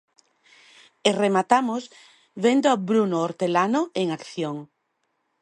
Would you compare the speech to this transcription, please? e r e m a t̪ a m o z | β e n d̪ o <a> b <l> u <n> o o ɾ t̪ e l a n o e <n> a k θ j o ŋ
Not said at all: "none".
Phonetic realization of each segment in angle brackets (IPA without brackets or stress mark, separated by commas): a, ɾ, n, ŋ